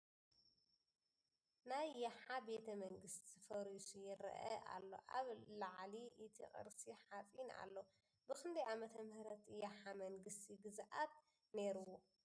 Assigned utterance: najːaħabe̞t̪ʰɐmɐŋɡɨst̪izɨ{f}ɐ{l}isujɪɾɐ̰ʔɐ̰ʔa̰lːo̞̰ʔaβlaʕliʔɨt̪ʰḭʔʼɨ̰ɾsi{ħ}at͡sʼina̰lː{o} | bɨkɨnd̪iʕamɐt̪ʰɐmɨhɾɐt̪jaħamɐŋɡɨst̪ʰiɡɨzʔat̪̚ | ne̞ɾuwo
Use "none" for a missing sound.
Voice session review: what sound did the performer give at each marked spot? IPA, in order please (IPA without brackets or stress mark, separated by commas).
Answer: f, ɾ, ħ, o